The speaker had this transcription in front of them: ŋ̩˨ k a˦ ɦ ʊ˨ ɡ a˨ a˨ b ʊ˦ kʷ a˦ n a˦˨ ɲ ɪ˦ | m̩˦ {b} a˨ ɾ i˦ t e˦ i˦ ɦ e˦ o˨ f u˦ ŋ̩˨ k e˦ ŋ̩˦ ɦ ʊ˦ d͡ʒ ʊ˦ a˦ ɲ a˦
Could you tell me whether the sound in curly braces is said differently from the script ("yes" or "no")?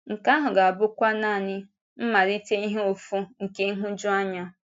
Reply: yes